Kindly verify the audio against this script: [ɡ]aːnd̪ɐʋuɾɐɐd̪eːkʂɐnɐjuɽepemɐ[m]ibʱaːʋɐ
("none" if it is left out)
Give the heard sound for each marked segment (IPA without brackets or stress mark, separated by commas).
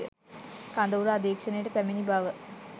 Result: k, n